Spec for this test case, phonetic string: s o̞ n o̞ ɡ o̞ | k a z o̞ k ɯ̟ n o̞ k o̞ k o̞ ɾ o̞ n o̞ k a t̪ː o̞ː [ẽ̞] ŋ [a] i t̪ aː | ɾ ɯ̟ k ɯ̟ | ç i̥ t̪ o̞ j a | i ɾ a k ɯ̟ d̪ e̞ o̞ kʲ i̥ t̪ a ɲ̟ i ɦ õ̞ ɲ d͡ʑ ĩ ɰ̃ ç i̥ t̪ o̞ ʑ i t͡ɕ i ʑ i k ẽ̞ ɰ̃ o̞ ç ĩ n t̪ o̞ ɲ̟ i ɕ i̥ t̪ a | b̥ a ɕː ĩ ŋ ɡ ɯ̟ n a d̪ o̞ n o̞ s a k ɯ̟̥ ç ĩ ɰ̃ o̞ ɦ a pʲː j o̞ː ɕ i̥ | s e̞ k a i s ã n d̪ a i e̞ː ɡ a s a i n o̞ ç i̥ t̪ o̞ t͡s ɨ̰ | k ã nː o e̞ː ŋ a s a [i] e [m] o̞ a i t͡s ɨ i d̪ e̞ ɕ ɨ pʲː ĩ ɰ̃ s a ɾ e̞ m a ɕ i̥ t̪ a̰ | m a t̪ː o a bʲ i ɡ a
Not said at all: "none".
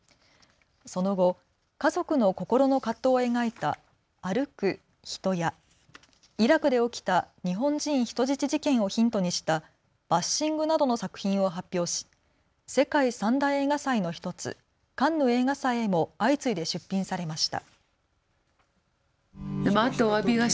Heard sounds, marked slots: e̞, a, i, m

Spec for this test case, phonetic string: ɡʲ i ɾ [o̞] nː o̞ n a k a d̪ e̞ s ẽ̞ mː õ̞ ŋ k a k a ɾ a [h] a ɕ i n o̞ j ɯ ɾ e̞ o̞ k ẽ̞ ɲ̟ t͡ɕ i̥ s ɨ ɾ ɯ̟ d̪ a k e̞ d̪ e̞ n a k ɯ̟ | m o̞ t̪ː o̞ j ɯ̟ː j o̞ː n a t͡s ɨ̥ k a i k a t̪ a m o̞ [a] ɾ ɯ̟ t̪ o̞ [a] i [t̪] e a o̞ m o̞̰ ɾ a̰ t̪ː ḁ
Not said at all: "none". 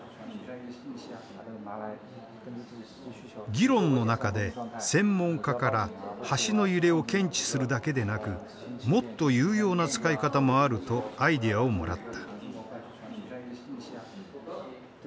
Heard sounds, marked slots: õ̞, h, a, a, d̪

